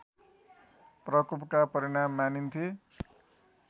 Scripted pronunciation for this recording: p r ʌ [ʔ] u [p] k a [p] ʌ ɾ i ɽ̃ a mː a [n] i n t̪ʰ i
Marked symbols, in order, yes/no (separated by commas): no, yes, yes, yes